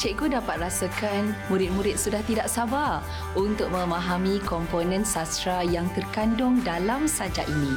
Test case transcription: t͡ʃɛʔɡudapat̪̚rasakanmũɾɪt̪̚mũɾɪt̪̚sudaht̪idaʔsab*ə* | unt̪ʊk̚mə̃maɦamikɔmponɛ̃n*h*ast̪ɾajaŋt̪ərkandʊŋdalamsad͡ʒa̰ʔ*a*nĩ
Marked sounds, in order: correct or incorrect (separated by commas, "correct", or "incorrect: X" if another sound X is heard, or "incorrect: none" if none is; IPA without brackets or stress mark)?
incorrect: a, incorrect: s, incorrect: i